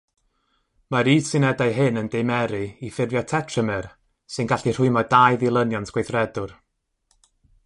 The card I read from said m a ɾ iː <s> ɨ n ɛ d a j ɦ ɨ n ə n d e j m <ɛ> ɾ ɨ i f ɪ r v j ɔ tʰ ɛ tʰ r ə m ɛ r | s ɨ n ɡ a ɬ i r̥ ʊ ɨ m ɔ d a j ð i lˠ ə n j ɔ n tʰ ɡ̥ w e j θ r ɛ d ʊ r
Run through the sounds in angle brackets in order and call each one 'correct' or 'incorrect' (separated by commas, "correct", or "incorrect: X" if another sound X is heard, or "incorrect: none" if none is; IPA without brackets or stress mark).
correct, correct